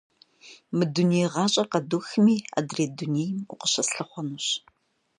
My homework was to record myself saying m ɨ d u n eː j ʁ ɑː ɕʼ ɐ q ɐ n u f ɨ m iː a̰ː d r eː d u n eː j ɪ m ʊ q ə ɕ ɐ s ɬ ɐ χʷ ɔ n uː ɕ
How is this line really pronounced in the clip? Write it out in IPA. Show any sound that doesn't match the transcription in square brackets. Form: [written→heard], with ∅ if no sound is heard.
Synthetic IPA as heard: m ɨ d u n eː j ʁ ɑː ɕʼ ɐ q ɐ [n→d] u [f→x] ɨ m iː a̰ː d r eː d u n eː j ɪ m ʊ q ə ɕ ɐ s ɬ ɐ χʷ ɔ n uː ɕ